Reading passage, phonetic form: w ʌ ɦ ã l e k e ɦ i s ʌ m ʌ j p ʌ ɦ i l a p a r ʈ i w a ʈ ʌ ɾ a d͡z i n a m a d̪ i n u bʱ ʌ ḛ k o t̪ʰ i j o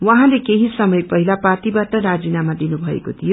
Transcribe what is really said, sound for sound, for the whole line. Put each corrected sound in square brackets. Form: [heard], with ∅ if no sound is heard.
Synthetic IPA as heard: w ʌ ɦ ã l e k e ɦ i s ʌ m ʌ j p ʌ ɦ i l a p a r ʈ i [b] a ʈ ʌ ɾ a d͡z i n a m a d̪ i n u bʱ ʌ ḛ k o t̪ʰ i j o